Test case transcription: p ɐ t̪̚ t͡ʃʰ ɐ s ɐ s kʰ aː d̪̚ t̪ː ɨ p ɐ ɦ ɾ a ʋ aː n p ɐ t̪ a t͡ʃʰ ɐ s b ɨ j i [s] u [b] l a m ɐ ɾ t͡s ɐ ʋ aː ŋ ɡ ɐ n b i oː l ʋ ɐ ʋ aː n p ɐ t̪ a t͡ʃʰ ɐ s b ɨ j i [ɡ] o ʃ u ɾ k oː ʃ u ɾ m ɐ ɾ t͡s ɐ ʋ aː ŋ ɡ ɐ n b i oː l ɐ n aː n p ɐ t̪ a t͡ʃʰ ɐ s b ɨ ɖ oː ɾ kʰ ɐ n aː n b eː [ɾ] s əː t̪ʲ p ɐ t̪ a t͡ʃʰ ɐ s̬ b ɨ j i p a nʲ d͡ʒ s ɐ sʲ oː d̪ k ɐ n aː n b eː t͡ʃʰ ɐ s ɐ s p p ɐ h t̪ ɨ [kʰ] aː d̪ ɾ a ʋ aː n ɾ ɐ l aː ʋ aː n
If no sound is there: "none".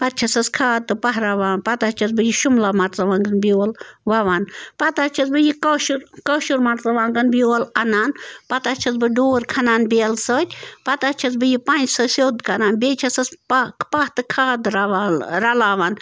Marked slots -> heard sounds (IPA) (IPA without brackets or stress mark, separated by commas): ʃ, m, k, l, kʰ